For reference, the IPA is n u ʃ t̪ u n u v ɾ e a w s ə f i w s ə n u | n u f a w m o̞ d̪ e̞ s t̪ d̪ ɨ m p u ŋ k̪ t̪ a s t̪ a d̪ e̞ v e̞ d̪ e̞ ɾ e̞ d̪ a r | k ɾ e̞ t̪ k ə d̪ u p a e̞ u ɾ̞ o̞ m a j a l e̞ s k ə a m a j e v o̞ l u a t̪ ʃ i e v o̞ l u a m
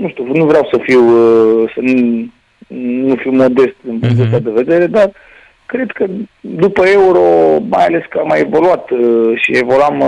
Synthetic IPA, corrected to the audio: n u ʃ t̪ u n u v ɾ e a w s ə f i w s ə n u | n u f i w m o̞ d̪ e̞ s t̪ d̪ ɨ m p u ŋ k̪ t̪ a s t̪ a d̪ e̞ v e̞ d̪ e̞ ɾ e̞ d̪ a r | k ɾ e̞ d̪ k ə d̪ u p ə e̞ u ɾ̞ o̞ m a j a l e̞ s k ə a m a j e v o̞ l u a t̪ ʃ i e v o̞ l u a m